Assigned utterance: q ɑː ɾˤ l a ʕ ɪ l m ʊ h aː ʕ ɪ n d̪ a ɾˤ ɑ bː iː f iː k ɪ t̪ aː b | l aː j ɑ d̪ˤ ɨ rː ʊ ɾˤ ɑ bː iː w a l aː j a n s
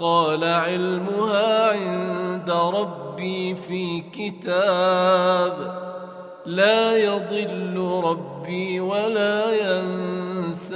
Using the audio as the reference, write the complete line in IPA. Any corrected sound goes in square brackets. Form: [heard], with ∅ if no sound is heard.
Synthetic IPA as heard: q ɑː [∅] l a ʕ ɪ l m ʊ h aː ʕ ɪ n d̪ a ɾˤ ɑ bː iː f iː k ɪ t̪ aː b | l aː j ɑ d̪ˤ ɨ [lː] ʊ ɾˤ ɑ bː iː w a l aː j a n s